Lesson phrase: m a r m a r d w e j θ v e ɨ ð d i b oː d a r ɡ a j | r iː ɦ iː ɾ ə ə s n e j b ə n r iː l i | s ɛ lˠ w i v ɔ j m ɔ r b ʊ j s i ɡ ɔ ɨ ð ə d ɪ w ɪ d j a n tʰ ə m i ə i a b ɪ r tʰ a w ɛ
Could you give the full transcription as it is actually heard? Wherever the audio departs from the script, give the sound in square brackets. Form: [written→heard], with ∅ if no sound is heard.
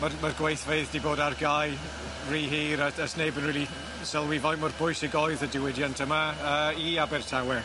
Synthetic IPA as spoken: m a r m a r [d→ɡ] w e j θ v e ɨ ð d i b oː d a r ɡ a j | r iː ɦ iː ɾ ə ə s n e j b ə n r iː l i | s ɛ lˠ w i v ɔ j m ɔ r b ʊ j s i ɡ ɔ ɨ ð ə d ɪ w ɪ d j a n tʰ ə m [i→a] ə i a b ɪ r tʰ a w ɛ